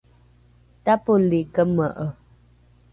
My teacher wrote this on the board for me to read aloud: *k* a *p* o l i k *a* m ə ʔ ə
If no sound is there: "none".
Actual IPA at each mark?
t, p, ə

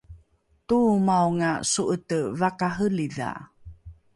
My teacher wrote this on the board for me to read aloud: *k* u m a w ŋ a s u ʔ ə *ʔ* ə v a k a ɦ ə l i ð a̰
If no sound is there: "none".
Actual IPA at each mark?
t, t

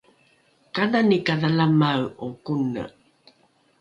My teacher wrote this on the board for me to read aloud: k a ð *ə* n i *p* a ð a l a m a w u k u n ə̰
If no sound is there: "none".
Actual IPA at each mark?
a, k

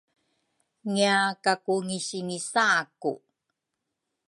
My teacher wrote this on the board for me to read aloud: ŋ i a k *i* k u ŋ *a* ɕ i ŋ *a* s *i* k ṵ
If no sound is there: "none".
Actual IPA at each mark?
a, i, i, a

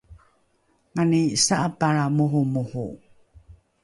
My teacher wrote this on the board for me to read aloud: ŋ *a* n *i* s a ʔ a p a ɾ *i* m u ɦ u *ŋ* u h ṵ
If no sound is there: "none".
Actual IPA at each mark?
a, i, a, m

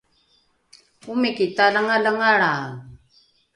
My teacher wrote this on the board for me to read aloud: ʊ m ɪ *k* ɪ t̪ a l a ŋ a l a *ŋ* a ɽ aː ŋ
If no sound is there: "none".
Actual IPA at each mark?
k, ŋ

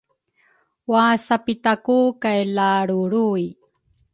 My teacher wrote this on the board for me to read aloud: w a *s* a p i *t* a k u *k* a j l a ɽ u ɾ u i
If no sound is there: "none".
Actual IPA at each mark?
s, t, k

